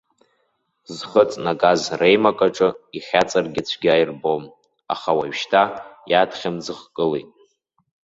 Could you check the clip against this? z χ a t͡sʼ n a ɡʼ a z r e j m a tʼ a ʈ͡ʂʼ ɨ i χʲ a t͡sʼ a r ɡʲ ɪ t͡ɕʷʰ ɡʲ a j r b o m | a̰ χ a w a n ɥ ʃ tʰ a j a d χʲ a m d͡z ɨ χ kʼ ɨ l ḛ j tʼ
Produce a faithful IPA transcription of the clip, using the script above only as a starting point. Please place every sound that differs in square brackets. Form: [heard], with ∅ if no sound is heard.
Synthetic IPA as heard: z χ [ə] t͡sʼ n a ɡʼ a z r e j m a [kʼ] a ʈ͡ʂʼ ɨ i χʲ a t͡sʼ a r ɡʲ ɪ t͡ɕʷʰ ɡʲ a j r b o m | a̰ χ a w a [∅] ɥ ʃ tʰ a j a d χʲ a m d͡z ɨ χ kʼ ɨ l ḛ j tʼ